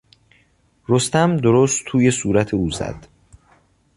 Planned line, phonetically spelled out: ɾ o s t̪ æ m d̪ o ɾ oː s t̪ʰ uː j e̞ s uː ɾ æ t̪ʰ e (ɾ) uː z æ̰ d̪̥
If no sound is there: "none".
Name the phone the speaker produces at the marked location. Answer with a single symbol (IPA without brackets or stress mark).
none